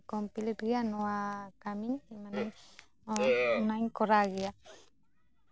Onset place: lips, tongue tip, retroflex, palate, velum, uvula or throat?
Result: velum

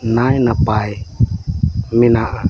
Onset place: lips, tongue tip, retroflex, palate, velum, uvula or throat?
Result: tongue tip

